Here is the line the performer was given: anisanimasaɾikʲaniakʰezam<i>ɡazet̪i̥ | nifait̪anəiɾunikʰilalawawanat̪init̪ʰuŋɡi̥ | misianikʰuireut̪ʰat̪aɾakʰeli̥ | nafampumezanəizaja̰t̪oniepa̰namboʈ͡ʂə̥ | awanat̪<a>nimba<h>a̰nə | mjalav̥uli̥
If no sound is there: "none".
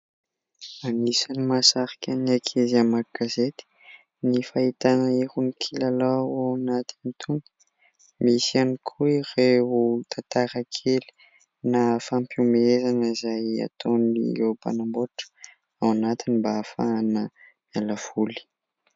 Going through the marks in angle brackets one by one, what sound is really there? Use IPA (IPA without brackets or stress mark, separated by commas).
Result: a, i, f